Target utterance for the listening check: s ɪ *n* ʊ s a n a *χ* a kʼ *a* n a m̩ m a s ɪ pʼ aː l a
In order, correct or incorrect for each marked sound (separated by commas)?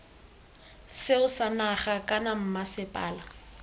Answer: incorrect, correct, correct